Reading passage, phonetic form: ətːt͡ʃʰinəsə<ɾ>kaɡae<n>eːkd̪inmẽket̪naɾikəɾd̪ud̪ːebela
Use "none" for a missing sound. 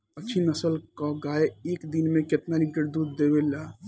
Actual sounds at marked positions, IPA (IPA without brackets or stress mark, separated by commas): l, none